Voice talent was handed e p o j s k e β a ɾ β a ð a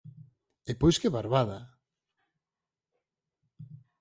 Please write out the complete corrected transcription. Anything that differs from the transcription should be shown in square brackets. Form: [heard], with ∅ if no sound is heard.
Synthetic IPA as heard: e p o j s k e β a ɾ β a ð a